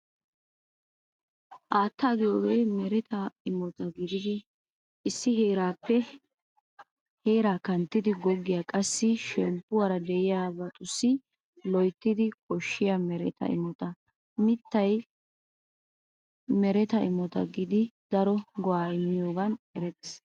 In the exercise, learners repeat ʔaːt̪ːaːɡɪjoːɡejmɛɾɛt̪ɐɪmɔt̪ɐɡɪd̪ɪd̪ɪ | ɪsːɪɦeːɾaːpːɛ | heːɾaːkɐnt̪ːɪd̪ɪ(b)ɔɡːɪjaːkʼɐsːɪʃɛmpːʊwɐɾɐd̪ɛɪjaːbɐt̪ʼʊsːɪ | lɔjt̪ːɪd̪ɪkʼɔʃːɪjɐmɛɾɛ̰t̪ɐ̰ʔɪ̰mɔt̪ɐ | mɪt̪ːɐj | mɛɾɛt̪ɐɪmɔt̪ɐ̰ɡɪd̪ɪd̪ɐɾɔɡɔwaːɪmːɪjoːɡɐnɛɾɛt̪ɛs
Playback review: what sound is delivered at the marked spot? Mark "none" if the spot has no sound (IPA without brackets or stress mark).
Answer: ɡ